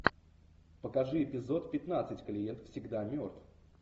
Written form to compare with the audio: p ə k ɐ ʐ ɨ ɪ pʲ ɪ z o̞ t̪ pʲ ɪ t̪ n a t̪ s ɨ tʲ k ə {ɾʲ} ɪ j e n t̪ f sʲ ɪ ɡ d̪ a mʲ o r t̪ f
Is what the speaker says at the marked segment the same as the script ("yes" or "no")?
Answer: no